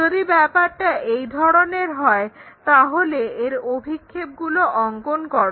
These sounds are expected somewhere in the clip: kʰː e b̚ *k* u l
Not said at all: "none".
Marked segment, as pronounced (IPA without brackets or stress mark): ɡ